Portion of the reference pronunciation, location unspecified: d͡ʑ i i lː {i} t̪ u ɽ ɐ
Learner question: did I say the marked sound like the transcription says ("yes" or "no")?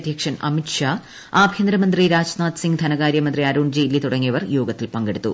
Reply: yes